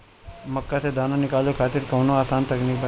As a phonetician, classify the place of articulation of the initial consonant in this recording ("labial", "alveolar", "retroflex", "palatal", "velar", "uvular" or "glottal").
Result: labial